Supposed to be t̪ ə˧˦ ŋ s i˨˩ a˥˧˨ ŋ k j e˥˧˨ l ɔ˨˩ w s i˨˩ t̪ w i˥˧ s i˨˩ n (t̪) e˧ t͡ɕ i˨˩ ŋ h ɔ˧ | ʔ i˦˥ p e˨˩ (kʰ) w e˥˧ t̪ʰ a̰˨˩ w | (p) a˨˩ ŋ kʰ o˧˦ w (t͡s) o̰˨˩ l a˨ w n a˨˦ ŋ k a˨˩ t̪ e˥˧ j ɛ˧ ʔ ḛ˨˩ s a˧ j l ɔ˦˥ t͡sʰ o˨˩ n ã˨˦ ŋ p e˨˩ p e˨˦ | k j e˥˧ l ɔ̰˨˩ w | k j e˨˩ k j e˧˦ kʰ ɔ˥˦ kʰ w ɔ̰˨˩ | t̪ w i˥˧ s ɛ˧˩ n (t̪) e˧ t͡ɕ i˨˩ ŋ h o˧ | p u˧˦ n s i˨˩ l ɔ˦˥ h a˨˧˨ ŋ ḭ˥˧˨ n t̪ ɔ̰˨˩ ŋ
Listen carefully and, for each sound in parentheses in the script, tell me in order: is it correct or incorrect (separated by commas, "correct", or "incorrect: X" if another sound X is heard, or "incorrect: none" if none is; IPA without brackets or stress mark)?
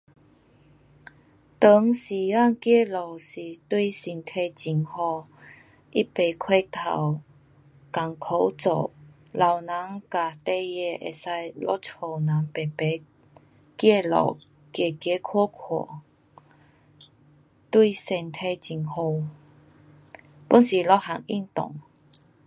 incorrect: t̪ʰ, correct, incorrect: k, correct, incorrect: t̪ʰ